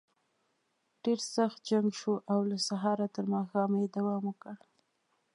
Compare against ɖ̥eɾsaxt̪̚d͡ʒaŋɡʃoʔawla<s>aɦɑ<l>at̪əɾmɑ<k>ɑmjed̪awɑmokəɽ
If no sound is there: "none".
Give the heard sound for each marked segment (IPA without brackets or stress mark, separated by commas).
s, ɾ, x